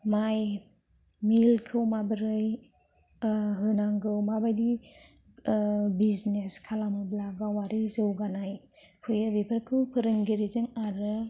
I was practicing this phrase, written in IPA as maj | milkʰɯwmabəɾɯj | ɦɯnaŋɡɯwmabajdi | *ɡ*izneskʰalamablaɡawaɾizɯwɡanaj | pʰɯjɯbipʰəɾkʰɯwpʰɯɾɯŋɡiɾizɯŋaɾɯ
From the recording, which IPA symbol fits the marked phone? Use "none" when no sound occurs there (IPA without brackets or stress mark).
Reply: b